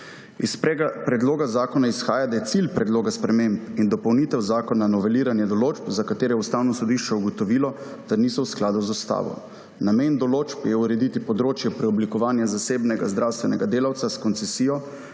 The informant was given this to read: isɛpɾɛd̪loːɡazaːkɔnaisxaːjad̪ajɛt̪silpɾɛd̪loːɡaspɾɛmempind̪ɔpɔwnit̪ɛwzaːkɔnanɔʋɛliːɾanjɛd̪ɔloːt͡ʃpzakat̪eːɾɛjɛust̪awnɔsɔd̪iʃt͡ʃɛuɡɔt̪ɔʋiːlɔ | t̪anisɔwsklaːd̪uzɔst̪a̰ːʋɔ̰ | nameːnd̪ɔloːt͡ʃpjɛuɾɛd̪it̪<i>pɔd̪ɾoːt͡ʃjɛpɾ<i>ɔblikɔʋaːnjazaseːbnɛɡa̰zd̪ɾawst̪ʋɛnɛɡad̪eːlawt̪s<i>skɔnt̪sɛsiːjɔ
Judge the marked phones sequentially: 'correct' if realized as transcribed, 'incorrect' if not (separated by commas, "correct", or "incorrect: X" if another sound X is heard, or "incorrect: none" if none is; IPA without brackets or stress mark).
correct, incorrect: ɛ, incorrect: a